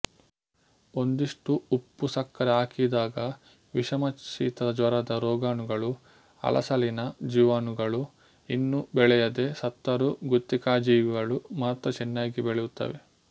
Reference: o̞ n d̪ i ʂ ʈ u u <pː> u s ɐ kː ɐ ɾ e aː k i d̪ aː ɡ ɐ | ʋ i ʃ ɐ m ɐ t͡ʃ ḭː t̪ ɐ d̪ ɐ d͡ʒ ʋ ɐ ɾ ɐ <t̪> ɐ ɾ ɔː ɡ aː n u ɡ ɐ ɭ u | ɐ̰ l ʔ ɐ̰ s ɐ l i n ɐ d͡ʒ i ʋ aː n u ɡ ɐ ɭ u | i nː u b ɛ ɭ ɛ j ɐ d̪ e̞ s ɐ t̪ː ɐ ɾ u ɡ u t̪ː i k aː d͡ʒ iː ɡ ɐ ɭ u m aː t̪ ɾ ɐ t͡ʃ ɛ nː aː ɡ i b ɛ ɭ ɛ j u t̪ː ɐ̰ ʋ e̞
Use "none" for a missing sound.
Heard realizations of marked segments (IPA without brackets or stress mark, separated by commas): pː, d̪